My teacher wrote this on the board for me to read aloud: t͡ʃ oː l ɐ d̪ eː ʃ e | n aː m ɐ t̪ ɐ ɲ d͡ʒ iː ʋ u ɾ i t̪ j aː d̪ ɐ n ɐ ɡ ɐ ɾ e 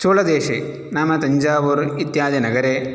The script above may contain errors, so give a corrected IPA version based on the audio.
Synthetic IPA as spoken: t͡ʃ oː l ɐ d̪ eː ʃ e | n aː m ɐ t̪ ɐ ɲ d͡ʒ aː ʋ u ɾ i t̪ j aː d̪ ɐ n ɐ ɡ ɐ ɾ e